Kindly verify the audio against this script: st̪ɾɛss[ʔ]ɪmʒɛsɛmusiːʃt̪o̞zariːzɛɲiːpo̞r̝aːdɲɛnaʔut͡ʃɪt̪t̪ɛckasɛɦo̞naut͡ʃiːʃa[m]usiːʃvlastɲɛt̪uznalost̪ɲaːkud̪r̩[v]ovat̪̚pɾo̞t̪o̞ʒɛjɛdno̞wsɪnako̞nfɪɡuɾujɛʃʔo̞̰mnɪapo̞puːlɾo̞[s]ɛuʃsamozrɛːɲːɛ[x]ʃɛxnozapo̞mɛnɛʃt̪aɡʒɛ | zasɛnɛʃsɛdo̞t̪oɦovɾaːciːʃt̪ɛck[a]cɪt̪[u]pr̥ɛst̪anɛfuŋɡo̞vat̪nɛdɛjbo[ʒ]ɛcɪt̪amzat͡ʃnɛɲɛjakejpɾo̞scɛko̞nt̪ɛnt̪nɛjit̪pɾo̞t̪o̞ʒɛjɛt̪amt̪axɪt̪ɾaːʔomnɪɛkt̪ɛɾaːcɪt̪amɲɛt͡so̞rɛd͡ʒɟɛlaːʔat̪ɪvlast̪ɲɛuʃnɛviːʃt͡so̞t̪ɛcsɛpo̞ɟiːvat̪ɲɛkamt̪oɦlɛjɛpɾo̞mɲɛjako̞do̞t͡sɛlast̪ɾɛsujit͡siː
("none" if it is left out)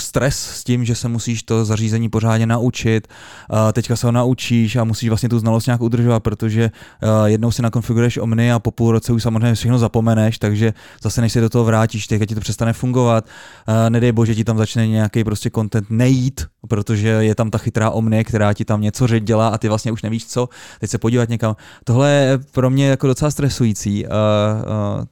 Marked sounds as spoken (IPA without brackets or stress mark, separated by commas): c, m, ʒ, t͡s, f, a, o, ʒ